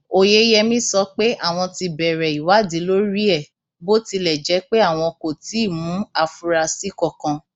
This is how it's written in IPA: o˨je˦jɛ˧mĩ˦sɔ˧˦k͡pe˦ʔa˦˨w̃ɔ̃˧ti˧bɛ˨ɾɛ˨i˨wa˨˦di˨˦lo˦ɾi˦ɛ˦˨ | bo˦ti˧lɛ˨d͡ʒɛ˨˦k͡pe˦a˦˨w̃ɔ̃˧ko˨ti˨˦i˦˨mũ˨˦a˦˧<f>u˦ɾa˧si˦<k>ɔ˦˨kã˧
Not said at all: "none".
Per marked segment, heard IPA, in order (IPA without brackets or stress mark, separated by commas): f, k